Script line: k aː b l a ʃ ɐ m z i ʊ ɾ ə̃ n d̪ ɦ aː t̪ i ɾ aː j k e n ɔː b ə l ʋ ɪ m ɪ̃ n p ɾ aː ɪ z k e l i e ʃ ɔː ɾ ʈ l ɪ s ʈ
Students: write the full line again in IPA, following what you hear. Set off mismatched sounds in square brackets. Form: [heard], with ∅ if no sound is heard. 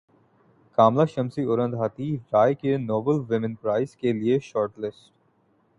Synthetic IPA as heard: k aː [m] l a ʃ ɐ m [s] i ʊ ɾ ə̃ n d̪ ɦ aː t̪ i ɾ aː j k e n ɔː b ə l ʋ ɪ m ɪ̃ n p ɾ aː ɪ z k e l i e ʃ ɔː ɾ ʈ l ɪ s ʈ